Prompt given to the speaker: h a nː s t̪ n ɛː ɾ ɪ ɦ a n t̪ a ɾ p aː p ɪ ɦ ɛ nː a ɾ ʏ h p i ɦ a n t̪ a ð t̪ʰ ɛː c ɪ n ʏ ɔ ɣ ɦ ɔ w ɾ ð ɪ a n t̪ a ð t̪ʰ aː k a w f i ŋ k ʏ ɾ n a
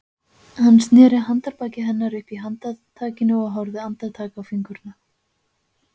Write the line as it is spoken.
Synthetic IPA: h a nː s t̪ n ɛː ɾ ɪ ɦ a n t̪ a ɾ p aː c ɪ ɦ ɛ nː a ɾ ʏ h p i ɦ a n t̪ a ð t̪ʰ aː c ɪ n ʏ ɔ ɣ ɦ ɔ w ɾ ð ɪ a n t̪ a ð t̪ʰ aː k a w f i ŋ k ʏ ɾ n a